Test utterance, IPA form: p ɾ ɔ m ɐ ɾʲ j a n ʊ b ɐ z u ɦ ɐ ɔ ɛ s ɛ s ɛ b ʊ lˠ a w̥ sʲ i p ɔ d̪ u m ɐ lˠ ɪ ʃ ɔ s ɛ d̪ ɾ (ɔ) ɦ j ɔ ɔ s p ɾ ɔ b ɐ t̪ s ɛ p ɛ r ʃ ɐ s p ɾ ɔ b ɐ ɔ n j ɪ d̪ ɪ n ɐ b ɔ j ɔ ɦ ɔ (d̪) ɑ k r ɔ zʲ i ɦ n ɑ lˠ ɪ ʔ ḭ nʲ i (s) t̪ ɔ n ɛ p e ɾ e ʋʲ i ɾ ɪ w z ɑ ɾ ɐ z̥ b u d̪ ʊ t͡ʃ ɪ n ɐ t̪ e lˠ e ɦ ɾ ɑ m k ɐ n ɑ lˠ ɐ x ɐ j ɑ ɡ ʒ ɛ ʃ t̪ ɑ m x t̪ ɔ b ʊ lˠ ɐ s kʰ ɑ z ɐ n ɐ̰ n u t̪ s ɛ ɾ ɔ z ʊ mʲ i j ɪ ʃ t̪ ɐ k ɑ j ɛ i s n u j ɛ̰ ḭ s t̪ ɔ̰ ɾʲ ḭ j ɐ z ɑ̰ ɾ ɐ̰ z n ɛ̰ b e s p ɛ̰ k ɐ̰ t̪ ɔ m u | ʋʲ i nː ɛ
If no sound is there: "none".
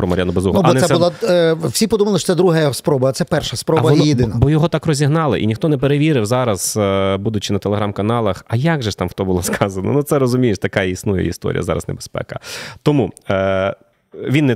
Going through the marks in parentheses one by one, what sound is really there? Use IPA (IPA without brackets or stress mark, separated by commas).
u, t̪, x